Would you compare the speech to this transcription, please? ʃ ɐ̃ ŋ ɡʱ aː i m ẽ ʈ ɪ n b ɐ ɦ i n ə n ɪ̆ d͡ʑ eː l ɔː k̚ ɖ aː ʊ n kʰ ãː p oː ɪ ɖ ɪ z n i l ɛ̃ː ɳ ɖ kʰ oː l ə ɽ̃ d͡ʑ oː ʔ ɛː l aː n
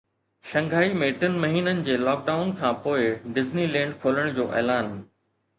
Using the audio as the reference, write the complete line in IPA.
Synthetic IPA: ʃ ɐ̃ ŋ ɡʱ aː i m ẽ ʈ ɪ n m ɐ ɦ iː n ə n ɪ̆ d͡ʑ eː l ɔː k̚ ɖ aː ʊ n kʰ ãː p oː ɪ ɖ ɪ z n i l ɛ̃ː ɳ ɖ kʰ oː l ə ɽ̃ d͡ʑ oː ʔ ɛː l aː n